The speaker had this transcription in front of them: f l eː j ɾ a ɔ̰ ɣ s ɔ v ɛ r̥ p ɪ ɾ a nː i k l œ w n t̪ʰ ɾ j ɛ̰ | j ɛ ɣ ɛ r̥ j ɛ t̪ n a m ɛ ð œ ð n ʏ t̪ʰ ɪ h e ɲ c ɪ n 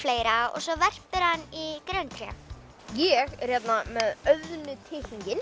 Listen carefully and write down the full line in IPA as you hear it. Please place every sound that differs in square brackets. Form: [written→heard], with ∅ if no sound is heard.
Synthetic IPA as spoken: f l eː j ɾ a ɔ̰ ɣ s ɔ v ɛ r̥ p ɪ ɾ a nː i k [l→ɾ] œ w n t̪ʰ ɾ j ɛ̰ | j ɛ ɣ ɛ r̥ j ɛ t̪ n a m ɛ ð œ ð n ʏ t̪ʰ ɪ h [e→i] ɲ c ɪ n